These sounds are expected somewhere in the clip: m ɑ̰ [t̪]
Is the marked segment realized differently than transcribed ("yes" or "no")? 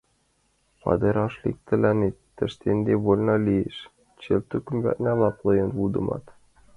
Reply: no